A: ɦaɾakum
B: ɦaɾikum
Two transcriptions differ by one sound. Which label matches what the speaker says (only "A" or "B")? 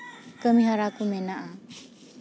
A